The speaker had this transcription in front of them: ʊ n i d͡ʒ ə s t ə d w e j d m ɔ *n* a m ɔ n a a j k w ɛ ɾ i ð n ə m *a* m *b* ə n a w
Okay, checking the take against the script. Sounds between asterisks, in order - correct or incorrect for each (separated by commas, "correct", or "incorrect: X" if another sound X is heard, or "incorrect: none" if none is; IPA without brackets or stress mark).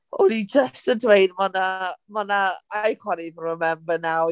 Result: correct, incorrect: ɛ, correct